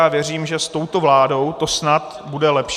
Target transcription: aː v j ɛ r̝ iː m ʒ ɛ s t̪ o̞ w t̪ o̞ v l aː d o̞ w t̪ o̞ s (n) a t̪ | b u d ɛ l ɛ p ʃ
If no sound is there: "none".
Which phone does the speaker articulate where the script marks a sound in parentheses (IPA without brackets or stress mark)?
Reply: n